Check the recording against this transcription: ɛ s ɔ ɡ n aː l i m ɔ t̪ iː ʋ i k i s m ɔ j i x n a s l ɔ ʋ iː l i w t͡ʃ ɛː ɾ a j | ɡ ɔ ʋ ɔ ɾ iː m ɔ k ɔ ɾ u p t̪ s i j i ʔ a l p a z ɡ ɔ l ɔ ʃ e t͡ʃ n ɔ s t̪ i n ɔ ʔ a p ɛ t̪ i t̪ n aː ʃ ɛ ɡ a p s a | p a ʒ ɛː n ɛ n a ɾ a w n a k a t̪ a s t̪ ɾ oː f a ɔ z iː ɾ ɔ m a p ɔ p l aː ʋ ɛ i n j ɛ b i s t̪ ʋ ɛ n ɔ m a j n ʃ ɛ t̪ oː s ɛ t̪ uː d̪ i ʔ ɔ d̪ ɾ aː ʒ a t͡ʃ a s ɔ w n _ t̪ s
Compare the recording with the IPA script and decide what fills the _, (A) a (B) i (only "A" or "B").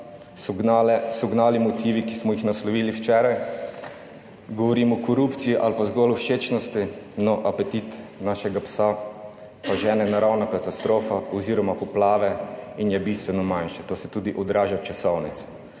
B